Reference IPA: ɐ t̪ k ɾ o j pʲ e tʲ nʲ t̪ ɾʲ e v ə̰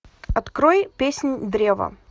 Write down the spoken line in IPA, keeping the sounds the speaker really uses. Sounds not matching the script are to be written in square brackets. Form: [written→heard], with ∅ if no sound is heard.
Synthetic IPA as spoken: ɐ t̪ k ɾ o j pʲ e [tʲ→sʲ] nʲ [t̪→d̪] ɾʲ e v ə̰